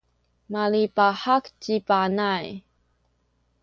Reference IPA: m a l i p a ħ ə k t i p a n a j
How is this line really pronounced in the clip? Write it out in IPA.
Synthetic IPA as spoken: m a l i p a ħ a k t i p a n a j